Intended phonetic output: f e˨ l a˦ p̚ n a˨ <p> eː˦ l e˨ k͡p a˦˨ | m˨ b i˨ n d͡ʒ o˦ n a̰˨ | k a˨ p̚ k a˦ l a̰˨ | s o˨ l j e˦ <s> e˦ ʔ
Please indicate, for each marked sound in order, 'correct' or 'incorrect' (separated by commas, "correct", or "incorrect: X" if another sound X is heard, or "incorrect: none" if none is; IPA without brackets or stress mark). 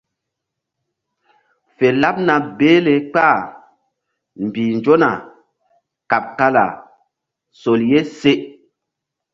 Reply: incorrect: b, correct